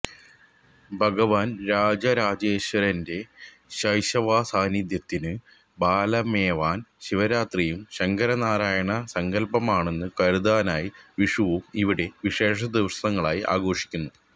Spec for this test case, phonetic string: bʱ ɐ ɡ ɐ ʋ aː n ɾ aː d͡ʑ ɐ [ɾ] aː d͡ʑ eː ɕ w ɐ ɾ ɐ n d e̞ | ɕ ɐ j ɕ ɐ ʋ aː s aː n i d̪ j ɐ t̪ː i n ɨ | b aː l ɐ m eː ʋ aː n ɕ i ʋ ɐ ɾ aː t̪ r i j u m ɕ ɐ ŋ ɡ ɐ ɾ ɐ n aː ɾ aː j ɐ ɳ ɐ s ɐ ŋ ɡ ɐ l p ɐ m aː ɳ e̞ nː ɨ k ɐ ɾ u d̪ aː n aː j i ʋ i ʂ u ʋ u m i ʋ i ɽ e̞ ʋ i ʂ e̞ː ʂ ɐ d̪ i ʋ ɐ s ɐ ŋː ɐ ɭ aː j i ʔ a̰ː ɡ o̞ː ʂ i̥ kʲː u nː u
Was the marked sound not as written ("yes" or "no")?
no